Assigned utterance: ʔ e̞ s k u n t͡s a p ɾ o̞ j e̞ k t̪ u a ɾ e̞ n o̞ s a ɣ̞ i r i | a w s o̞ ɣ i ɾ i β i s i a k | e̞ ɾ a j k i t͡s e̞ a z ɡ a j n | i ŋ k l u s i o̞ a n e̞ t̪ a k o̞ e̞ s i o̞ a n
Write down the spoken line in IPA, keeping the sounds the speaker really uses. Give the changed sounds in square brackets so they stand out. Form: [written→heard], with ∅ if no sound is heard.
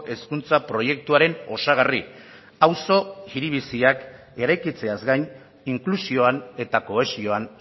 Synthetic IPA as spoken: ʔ e̞ s k u n t͡s a p ɾ o̞ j e̞ k t̪ u a ɾ e̞ n o̞ s a ɣ̞ [i→a] r i | a w s o̞ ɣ i ɾ i β i s i a k | e̞ ɾ a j k i t͡s e̞ a z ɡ a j n | i ŋ k l u s i o̞ a n e̞ t̪ a k o̞ e̞ s i o̞ a n